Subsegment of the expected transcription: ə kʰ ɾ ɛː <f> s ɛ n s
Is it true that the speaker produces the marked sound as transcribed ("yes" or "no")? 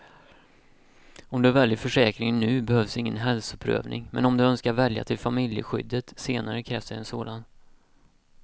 yes